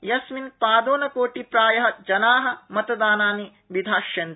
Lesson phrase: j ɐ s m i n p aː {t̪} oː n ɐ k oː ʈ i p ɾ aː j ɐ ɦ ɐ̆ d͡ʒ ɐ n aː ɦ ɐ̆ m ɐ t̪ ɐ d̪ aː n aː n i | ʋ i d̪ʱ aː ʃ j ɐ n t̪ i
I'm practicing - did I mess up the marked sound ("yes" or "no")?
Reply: yes